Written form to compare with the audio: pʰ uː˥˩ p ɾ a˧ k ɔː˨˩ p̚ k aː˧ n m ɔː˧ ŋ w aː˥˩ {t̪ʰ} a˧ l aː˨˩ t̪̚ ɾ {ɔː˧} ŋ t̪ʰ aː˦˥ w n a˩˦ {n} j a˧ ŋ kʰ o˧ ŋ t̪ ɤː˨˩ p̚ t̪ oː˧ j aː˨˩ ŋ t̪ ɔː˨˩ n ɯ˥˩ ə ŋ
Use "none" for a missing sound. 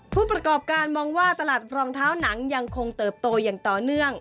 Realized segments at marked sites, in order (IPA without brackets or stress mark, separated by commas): t̪, ɔː˧, ŋ